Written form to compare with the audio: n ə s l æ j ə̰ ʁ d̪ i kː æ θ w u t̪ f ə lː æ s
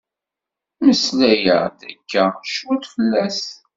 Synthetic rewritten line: m ə s l æ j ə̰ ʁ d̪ æ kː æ ʃ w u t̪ f ə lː æ s